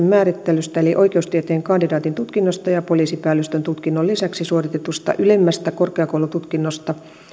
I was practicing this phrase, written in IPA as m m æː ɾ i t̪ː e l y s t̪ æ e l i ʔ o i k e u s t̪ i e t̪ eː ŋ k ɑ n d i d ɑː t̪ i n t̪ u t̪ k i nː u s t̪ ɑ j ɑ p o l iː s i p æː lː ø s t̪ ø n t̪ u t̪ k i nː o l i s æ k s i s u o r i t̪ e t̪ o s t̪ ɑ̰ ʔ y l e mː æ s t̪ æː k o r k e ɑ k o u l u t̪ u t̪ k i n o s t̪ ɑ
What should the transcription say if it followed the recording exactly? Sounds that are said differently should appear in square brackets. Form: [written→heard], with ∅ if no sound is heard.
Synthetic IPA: m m æː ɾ i t̪ː e l y s t̪ æ e l i ʔ o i k e u s t̪ i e t̪ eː ŋ k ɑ n d i d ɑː t̪ i n t̪ u t̪ k i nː [u→o] s t̪ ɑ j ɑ p o l iː s i p æː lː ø s t̪ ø n t̪ u t̪ k i nː o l i s æ k s i s u o r i t̪ e t̪ [o→u] s t̪ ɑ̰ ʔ y l e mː æ s t̪ [æː→æ] k o r k e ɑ k o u l u t̪ u t̪ k i [n→nː] o s t̪ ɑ